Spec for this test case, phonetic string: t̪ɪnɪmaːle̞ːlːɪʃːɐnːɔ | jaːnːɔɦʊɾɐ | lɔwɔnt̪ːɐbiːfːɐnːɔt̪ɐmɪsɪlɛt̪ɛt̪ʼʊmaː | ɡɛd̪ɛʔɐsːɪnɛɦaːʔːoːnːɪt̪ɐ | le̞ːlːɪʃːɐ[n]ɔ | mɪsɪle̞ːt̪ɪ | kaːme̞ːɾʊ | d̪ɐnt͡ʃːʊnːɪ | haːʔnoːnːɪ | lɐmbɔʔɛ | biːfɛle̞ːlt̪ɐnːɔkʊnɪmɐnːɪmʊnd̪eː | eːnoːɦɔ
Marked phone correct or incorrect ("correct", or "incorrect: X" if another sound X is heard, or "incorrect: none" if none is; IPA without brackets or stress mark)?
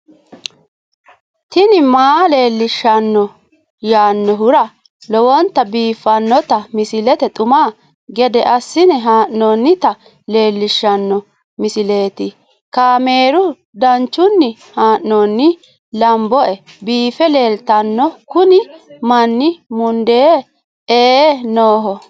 incorrect: nː